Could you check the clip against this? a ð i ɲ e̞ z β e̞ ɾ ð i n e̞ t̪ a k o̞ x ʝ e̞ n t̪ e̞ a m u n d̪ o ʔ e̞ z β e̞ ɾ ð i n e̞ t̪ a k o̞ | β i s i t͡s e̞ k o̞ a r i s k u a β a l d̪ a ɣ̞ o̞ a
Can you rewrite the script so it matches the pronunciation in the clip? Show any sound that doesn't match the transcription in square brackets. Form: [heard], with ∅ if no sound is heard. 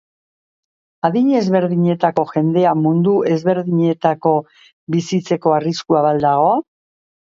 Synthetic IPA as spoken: a ð i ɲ e̞ z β e̞ ɾ ð i [ɲ] e̞ t̪ a k o̞ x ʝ e̞ n [d̪] e̞ a m u n d̪ [u] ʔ e̞ z β e̞ ɾ ð i [ɲ] e̞ t̪ a k o̞ | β i s i t͡s e̞ k o̞ a r i s k u a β a l d̪ a ɣ̞ o̞ a

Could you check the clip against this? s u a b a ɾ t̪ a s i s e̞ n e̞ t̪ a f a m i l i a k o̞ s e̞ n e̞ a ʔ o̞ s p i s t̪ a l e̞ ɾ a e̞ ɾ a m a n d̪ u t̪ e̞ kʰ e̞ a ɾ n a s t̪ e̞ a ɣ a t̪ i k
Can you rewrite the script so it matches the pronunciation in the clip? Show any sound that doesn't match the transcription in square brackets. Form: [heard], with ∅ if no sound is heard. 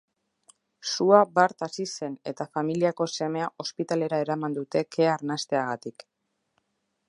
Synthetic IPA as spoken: s u a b a ɾ t̪ a s i s e̞ n e̞ t̪ a f a m i l i a k o̞ s e̞ [m] e̞ a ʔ o̞ s p i [∅] t̪ a l e̞ ɾ a e̞ ɾ a m a n d̪ u t̪ e̞ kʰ e̞ a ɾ n a s t̪ e̞ a ɣ a t̪ i k

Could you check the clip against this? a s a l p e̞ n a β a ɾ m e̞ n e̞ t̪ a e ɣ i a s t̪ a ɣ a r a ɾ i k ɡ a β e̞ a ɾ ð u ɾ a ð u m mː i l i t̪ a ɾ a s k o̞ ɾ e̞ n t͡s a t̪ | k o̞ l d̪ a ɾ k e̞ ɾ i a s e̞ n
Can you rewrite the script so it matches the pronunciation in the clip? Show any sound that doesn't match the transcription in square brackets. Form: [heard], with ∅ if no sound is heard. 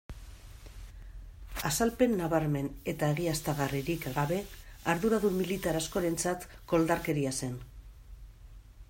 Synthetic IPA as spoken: a s a l p e̞ [nː] a β a ɾ m e̞ n e̞ t̪ a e ɣ i a s t̪ a ɣ a r [i] ɾ i k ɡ a β e̞ a ɾ ð u ɾ a ð u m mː i l i t̪ a ɾ a s k o̞ ɾ e̞ n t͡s a t̪ | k o̞ l d̪ a ɾ k e̞ ɾ i a s e̞ n

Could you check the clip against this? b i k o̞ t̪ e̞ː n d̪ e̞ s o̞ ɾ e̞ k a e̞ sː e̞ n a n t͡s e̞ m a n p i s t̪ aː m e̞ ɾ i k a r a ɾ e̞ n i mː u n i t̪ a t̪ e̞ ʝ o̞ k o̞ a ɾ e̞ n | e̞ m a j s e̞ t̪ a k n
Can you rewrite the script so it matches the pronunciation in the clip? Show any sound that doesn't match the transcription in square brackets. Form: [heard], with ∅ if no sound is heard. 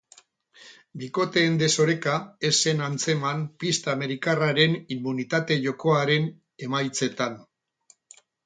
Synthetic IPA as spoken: b i k o̞ t̪ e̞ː n d̪ e̞ s o̞ ɾ e̞ k a e̞ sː e̞ n a n t͡s e̞ m a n p i s t̪ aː m e̞ ɾ i k a r a ɾ e̞ n i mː u n i t̪ a t̪ e̞ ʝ o̞ k o̞ a ɾ e̞ n | e̞ m a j [t͡s] e̞ t̪ a [∅] n

